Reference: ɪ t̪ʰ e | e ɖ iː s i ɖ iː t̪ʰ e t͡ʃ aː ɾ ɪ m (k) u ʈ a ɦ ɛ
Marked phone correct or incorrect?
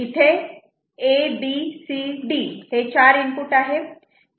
incorrect